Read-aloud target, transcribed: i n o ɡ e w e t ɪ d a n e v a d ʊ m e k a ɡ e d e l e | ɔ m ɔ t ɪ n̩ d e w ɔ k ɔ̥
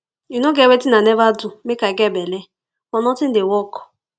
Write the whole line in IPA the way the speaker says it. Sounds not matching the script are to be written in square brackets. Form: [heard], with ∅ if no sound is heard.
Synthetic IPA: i n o ɡ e w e t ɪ [n] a n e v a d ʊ m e k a ɡ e [b] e l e | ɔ [n] ɔ t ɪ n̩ d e w ɔ k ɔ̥